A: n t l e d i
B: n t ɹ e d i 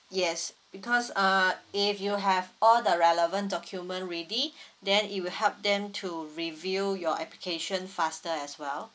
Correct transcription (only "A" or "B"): B